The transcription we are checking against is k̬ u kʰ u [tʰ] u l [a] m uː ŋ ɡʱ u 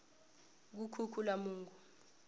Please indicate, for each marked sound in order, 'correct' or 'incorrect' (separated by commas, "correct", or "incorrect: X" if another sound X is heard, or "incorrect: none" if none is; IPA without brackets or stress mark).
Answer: incorrect: kʰ, correct